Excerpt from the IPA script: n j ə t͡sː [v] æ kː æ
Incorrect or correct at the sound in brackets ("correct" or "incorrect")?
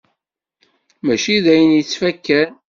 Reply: incorrect